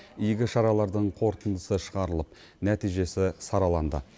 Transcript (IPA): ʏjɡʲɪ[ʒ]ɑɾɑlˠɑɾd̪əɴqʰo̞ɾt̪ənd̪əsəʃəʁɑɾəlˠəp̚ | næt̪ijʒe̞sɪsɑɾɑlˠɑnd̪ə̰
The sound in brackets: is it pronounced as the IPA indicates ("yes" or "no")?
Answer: no